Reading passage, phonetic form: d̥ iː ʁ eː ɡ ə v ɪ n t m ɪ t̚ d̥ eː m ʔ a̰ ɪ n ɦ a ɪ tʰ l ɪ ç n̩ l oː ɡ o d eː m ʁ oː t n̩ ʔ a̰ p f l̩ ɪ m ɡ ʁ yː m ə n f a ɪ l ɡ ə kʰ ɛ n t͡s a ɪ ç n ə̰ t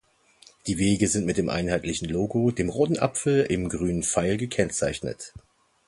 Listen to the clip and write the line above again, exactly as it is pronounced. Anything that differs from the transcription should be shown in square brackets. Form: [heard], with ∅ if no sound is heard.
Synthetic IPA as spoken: d̥ iː [v] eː ɡ ə [z] ɪ n t m ɪ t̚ d̥ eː m ʔ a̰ ɪ n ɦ a ɪ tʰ l ɪ ç n̩ l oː ɡ o d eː m ʁ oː t n̩ ʔ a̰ p f l̩ ɪ m ɡ ʁ yː [n] ə n f a ɪ l ɡ ə kʰ ɛ n t͡s a ɪ ç n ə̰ t